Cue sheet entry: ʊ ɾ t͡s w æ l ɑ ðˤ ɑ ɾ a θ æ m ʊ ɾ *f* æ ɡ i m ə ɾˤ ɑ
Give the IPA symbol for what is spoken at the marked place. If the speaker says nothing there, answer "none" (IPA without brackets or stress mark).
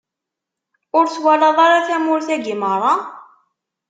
θ